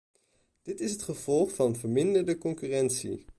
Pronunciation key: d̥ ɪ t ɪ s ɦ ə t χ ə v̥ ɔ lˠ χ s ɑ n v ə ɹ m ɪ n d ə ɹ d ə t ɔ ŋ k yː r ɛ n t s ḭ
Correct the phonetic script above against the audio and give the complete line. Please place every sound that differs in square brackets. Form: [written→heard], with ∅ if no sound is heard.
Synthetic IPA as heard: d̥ ɪ t ɪ s ɦ ə t χ ə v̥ ɔ lˠ χ [s→f] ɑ n v ə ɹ m ɪ n d ə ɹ d ə [t→k] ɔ ŋ k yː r ɛ n t s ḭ